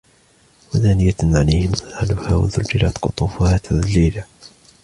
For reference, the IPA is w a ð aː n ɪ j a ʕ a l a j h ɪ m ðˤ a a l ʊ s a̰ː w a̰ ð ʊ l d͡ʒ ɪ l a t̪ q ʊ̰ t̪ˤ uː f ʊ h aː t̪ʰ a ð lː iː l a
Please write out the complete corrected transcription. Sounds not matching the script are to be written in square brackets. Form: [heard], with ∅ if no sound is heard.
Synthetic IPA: w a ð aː n ɪ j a ʕ a l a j h ɪ m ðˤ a a l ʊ [h] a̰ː w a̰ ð ʊ l d͡ʒ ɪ l a t̪ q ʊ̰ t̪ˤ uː f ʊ h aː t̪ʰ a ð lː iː l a